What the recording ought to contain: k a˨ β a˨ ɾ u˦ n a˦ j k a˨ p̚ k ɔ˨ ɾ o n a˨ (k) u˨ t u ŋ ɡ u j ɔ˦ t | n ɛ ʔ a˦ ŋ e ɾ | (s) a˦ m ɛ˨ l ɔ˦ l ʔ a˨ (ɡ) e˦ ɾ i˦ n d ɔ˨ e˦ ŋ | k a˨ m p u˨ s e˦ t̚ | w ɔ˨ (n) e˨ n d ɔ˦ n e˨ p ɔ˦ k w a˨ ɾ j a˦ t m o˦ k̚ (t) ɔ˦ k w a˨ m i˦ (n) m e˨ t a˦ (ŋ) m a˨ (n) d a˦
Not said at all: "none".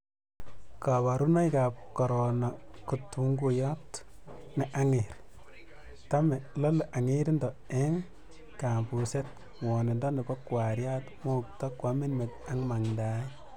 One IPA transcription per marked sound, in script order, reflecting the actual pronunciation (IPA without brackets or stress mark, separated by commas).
k, t, ŋ, n, t, n, ŋ, ŋ